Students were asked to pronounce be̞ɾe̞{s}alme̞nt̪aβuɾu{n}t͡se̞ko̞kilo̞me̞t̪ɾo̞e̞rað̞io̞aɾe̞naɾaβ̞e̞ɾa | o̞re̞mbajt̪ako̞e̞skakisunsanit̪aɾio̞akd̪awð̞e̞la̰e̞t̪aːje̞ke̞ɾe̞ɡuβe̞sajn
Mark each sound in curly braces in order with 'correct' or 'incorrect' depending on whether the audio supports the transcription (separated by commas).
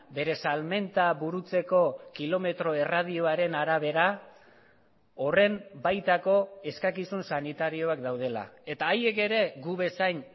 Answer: correct, incorrect